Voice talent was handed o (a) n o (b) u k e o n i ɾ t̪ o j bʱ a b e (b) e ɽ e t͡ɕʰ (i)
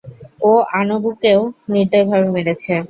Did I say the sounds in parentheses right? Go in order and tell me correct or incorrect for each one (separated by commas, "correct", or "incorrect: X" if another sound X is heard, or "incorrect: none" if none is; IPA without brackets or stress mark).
correct, correct, incorrect: m, incorrect: e